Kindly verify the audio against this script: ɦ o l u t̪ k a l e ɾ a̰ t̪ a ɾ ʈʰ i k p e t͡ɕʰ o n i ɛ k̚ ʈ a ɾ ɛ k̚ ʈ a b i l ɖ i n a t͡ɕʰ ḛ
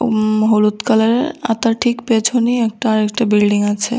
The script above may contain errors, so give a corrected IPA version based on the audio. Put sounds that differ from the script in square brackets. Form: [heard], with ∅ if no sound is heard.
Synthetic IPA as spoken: ɦ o l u t̪ k a l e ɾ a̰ t̪ a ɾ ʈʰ i k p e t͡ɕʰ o n i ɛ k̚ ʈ a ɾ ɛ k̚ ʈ a b i l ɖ i [ŋ] a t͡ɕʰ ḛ